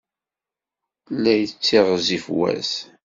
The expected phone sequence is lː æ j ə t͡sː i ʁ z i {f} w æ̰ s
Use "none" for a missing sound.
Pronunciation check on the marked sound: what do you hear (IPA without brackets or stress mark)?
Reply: f